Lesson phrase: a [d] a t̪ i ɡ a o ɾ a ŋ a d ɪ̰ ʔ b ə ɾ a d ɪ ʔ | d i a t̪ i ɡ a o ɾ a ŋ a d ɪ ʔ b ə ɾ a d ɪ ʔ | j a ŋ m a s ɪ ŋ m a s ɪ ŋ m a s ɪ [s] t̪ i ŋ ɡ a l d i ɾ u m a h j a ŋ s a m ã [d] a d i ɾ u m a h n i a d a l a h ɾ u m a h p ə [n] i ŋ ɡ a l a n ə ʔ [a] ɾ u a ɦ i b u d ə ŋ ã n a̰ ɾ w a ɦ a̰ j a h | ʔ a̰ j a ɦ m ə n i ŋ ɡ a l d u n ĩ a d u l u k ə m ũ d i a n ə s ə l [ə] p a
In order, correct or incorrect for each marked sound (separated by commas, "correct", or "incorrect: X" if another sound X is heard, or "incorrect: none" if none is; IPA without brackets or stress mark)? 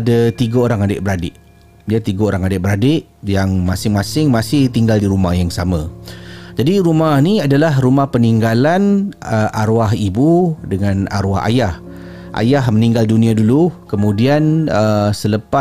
correct, incorrect: h, incorrect: d͡ʒ, correct, correct, correct